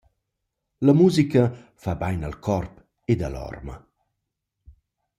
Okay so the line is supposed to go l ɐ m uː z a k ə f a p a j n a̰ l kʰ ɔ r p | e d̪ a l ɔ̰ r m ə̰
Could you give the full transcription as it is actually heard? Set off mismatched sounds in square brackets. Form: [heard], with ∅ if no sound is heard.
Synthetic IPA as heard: l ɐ m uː z [i] k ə f a [b] a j n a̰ l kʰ ɔ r p | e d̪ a l ɔ̰ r m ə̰